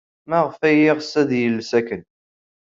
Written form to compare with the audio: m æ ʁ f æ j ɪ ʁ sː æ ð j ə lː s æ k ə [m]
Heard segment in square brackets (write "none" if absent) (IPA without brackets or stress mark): n